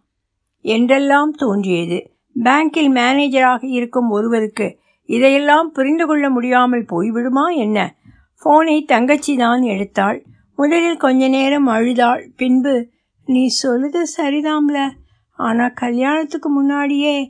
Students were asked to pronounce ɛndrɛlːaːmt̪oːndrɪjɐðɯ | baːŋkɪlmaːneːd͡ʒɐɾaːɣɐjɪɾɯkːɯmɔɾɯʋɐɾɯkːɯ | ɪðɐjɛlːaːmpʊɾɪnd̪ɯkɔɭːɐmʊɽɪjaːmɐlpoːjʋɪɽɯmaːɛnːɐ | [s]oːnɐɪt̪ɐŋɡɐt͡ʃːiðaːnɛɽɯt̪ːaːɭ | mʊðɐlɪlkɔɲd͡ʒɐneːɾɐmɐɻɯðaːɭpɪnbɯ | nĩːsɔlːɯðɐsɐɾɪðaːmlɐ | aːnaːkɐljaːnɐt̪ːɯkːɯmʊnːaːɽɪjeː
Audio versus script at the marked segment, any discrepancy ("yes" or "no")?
yes